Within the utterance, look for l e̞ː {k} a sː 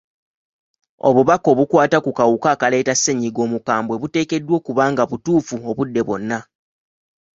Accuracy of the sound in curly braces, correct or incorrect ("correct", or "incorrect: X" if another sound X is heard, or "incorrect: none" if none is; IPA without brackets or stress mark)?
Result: incorrect: t